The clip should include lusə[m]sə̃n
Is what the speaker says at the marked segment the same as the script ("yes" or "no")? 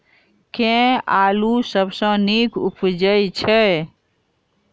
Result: no